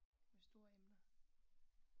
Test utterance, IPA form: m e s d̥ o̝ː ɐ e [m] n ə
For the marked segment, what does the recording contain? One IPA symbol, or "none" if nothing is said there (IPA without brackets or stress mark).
m